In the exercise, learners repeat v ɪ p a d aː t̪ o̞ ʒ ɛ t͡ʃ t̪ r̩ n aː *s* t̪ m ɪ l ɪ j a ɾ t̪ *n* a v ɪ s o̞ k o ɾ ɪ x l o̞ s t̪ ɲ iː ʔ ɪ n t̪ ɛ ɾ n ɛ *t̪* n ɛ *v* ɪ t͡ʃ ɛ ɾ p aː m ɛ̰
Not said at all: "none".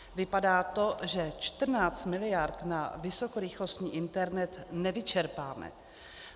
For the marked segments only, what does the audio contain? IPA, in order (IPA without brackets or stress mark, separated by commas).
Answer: t͡s, n, t̪, v